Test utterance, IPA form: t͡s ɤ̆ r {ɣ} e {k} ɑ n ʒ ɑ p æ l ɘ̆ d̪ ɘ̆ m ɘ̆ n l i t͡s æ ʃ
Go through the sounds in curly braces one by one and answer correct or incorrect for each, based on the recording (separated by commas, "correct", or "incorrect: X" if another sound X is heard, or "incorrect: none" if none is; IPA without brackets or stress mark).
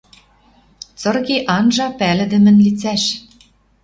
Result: correct, incorrect: ʔ